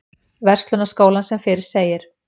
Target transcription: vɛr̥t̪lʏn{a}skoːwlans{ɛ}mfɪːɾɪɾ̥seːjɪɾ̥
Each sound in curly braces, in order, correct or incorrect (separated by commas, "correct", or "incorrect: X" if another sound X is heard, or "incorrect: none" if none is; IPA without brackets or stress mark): correct, correct